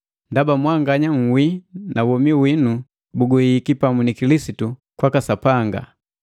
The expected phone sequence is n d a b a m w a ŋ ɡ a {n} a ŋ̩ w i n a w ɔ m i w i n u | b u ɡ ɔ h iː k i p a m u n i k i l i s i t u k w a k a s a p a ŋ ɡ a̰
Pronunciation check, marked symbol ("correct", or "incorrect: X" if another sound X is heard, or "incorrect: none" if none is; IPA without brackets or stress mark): incorrect: ɲ